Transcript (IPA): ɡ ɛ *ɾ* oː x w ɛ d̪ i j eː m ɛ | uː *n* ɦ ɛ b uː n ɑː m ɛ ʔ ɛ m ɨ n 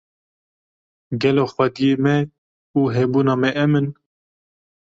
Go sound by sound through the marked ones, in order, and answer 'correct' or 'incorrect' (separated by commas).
incorrect, incorrect